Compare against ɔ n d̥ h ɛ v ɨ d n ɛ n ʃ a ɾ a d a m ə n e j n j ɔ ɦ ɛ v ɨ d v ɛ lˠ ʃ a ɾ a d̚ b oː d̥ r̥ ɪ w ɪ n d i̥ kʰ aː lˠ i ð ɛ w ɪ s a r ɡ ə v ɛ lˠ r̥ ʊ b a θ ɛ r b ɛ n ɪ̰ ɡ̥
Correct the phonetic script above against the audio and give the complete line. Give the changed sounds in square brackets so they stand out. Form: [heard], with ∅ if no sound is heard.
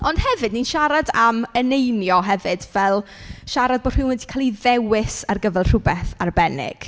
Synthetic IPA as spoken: ɔ n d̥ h ɛ v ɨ d n [i] n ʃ a ɾ a d a m ə n e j n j ɔ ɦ ɛ v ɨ d v ɛ lˠ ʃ a ɾ a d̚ b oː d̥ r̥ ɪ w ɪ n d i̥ kʰ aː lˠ i ð ɛ w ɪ s a r ɡ ə v ɛ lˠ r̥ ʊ b [ɛ] θ [a] r b ɛ n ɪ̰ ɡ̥

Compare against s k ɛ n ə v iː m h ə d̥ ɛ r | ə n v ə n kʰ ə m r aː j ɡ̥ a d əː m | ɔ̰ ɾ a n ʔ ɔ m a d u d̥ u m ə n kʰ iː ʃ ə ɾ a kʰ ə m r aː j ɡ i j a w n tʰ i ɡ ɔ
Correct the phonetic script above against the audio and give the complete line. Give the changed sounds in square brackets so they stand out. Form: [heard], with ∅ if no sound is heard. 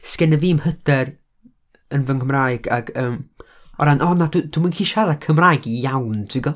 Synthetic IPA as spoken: s k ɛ n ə v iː m h ə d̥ ɛ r | ə n v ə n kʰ ə m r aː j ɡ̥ a [ɡ] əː m | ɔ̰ ɾ a n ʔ ɔ [n] a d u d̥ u m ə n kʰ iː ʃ [a] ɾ a kʰ ə m r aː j ɡ i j a w n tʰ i ɡ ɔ

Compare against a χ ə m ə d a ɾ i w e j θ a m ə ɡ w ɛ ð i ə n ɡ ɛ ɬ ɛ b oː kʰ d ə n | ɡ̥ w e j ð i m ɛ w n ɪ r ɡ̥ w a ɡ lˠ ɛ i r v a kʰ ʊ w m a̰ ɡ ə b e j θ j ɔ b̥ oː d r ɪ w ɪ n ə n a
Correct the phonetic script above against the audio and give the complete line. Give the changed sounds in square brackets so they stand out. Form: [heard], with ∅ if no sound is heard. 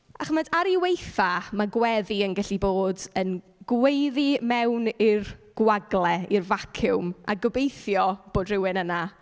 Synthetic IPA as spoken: a χ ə m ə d a ɾ i w e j θ a m [a] ɡ w ɛ ð i ə n ɡ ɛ ɬ [i] b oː [∅] d ə n | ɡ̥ w e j ð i m ɛ w n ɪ r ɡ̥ w a ɡ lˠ ɛ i r v a kʰ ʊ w m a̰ ɡ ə b e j θ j ɔ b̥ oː d r ɪ w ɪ n ə n a

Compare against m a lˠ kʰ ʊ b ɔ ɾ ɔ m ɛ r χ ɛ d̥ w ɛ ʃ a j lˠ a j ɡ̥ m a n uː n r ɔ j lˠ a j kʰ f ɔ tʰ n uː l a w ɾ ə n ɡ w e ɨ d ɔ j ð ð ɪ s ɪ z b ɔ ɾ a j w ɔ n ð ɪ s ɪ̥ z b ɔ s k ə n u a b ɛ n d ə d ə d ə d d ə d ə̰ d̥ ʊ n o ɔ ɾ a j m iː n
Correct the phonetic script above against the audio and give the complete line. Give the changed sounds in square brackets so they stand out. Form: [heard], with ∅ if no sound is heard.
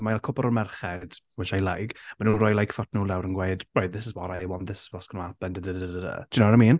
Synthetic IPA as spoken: m a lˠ kʰ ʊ b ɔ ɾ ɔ m ɛ r χ ɛ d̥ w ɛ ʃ a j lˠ a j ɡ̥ m a n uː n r ɔ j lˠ a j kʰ f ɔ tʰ n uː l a w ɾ ə n ɡ w e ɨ d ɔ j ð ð ɪ s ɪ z b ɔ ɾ a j w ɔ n ð ɪ s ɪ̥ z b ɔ s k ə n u a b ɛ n d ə d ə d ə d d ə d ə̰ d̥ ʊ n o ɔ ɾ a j m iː n

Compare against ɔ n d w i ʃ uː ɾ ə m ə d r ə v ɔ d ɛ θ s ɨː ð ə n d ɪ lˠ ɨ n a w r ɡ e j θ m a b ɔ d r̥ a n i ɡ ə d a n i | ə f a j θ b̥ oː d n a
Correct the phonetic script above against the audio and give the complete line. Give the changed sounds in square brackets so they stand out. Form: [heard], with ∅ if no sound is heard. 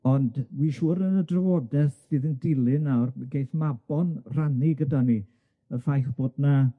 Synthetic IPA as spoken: ɔ n d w i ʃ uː ɾ ə [n] ə d r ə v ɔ d ɛ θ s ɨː ð ə n d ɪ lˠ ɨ n a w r ɡ e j θ m a b ɔ [n] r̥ a n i ɡ ə d a n i | ə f a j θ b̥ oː d n a

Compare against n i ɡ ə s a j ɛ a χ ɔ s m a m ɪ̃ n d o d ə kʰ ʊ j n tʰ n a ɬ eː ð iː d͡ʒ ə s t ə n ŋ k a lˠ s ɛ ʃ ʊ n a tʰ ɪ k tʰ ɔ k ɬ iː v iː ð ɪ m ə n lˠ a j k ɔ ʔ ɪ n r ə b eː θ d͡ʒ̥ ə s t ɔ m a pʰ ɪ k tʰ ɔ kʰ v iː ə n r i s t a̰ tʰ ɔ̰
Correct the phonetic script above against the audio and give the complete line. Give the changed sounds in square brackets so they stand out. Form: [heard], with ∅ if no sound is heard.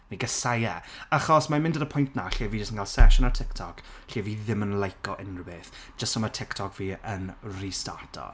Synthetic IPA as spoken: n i ɡ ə s a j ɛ a χ ɔ s m a m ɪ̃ n d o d ə [pʰ] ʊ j n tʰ n a ɬ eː [v] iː d͡ʒ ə s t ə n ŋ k a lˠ s ɛ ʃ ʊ n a tʰ ɪ k tʰ ɔ k ɬ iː v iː ð ɪ m ə n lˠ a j k ɔ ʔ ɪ n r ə b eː θ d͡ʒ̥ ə s t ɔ m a [tʰ] ɪ k tʰ ɔ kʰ v iː ə n r i s t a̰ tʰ ɔ̰

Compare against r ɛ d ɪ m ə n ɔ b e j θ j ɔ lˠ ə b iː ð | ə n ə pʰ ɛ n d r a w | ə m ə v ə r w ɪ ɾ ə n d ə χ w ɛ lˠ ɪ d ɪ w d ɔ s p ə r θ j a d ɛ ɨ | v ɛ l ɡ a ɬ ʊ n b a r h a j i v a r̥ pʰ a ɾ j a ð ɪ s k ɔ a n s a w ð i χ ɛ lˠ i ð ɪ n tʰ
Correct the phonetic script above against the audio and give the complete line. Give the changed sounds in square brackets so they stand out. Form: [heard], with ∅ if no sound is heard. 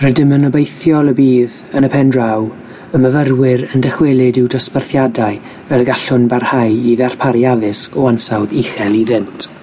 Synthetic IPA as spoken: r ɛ d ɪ m ə n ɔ b e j θ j ɔ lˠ ə b iː ð | ə n ə pʰ ɛ n d r a w | ə m ə v ə r w ɪ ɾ ə n d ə χ w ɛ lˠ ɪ d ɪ w d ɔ s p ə r θ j a d [a] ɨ | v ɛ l ɡ a ɬ ʊ n b a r h a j i [ð] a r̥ pʰ a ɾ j a ð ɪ s k ɔ a n s a w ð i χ ɛ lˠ i ð ɪ n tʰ

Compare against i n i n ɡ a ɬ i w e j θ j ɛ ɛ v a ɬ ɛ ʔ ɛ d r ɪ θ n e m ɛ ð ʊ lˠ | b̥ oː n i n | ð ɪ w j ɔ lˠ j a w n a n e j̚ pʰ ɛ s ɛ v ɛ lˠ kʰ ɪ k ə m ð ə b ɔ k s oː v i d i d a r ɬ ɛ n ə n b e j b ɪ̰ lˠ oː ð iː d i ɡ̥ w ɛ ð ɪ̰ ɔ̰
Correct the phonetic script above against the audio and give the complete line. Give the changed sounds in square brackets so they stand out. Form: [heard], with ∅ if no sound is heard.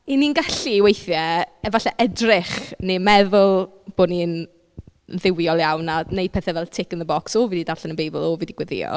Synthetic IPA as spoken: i n i n ɡ a ɬ i w e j θ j ɛ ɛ v a ɬ ɛ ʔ ɛ d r ɪ [χ] n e m ɛ ð ʊ lˠ | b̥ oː n i n | ð ɪ w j ɔ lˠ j a w n a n e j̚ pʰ ɛ [θ] ɛ v ɛ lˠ [tʰ] ɪ k ə [n] ð ə b ɔ k s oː v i d i d a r ɬ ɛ n ə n b e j b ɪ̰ lˠ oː [v] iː d i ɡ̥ w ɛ ð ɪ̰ ɔ̰

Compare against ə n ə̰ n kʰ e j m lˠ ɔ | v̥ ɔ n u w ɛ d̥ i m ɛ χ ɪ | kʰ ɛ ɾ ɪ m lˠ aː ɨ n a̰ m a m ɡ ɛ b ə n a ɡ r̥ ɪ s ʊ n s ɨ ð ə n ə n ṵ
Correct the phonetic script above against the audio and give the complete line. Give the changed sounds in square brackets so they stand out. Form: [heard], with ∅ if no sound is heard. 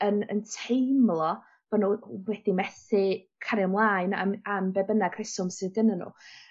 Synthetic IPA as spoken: ə n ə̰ n [tʰ] e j m lˠ ɔ | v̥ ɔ n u w ɛ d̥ i m ɛ [θ] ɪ | kʰ [a] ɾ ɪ m lˠ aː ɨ n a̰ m a m [b] ɛ b ə n a ɡ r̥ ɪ s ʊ [m] s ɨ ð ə n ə n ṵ

